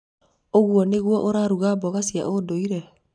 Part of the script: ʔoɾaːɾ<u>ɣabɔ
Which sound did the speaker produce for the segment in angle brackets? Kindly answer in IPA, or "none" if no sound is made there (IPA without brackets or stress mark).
u